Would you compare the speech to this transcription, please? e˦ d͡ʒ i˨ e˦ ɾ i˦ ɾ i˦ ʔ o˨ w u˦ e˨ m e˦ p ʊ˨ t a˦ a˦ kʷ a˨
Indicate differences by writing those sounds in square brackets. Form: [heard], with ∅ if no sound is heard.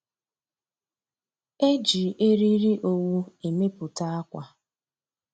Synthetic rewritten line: e˦ d͡ʒ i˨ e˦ ɾ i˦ ɾ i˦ ʔ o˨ w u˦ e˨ m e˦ p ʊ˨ t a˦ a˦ kʷ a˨